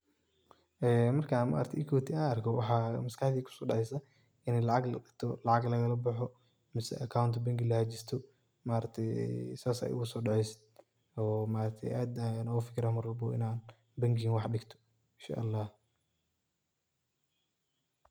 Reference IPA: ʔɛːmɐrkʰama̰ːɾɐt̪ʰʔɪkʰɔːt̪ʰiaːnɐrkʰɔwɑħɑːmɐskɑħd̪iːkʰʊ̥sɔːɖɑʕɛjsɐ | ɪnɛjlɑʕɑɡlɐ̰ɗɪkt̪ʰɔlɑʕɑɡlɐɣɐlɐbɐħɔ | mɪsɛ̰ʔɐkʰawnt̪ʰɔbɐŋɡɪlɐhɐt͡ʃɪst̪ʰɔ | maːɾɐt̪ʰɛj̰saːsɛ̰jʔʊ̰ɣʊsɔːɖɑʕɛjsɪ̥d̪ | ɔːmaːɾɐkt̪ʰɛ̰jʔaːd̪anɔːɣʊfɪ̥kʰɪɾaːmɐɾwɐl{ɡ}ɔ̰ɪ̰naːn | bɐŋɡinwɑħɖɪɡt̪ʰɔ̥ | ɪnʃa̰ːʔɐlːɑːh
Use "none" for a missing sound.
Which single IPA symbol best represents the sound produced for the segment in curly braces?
b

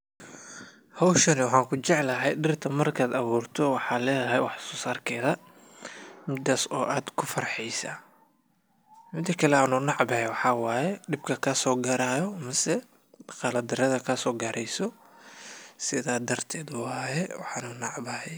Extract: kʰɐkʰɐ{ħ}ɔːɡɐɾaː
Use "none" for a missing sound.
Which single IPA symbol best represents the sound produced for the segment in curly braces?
s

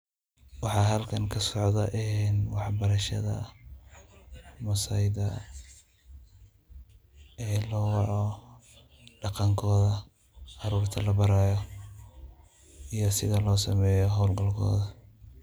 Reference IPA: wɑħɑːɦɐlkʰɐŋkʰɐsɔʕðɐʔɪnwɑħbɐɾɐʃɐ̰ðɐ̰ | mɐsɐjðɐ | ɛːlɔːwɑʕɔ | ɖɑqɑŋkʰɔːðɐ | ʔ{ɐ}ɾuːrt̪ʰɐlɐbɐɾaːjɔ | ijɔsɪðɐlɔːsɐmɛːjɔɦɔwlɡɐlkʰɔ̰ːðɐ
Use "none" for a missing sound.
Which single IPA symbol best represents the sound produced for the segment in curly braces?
ɑ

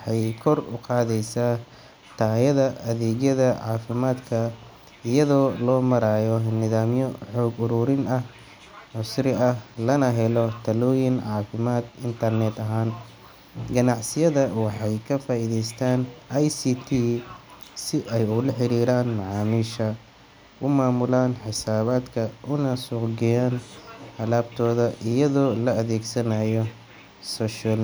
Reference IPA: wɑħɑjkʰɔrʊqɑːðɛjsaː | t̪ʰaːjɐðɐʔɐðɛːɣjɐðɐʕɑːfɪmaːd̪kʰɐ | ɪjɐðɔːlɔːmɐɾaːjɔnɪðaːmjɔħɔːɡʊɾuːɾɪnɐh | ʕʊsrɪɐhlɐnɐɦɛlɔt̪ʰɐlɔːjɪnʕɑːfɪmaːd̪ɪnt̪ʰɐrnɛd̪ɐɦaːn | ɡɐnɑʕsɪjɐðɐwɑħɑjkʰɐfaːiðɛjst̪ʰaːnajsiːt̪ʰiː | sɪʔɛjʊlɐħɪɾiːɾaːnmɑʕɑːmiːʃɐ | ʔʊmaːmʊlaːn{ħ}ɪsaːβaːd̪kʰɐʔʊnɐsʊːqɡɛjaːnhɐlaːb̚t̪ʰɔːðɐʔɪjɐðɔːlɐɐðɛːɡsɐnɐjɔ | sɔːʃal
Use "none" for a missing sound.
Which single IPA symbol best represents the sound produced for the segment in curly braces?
ħ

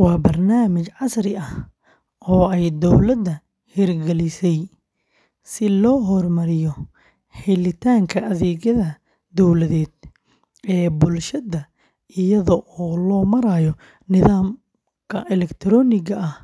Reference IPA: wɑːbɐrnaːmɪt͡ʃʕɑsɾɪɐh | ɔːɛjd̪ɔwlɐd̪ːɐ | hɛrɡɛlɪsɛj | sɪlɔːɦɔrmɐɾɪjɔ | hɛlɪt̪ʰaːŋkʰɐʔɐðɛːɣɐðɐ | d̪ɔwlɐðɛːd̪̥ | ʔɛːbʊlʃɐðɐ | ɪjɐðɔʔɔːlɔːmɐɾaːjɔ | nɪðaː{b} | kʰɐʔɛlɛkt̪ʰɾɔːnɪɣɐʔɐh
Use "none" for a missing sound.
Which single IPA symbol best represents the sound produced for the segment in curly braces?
m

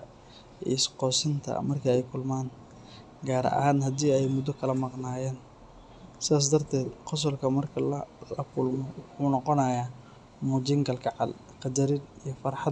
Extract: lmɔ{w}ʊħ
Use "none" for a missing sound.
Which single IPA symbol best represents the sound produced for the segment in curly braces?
w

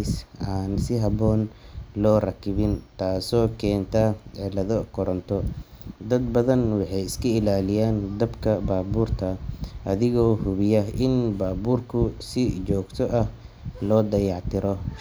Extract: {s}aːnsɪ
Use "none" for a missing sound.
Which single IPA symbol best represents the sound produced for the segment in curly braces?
s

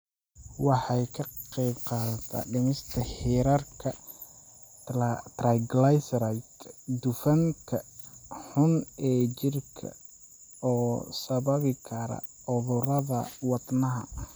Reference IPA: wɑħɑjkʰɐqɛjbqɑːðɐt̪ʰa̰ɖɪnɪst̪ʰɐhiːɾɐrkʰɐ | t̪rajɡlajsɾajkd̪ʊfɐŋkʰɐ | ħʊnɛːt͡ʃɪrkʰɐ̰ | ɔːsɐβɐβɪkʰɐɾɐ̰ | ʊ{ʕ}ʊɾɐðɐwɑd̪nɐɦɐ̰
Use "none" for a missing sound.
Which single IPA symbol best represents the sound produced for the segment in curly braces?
ð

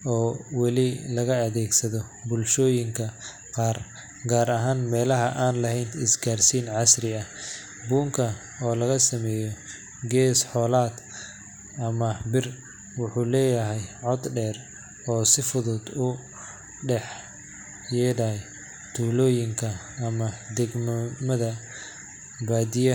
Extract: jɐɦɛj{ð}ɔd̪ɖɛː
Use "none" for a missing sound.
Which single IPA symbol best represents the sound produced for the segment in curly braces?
ʕ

